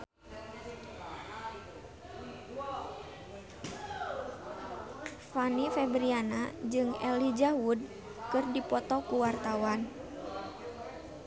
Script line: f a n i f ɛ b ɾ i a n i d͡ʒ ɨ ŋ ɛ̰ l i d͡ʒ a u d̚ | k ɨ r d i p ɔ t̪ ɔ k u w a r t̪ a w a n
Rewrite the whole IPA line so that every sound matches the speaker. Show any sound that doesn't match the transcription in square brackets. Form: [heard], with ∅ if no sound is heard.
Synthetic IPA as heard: f a n i f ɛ b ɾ i a n [a] d͡ʒ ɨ ŋ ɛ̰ l i d͡ʒ a u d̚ | k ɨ r d i p ɔ t̪ ɔ k u w a r t̪ a w a n